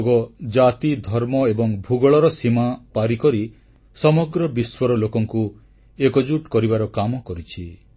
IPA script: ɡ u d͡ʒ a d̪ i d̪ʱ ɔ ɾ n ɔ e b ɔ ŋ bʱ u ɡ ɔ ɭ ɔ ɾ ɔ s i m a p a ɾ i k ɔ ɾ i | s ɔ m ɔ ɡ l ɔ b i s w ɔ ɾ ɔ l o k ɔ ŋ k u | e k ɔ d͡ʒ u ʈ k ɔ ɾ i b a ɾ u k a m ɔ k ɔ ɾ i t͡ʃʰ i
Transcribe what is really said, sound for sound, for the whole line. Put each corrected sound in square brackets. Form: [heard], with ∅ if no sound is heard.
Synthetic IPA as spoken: ɡ [ɔ] d͡ʒ a [t̪] i d̪ʱ ɔ ɾ [m] ɔ e b ɔ ŋ bʱ u ɡ ɔ ɭ ɔ ɾ ɔ s i m a p a ɾ i k ɔ ɾ i | s ɔ m ɔ ɡ [ɾ] ɔ b i s w ɔ ɾ ɔ l o k ɔ ŋ k u | e k ɔ d͡ʒ u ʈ k ɔ ɾ i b a ɾ [ɔ] k a m ɔ k ɔ ɾ i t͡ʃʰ i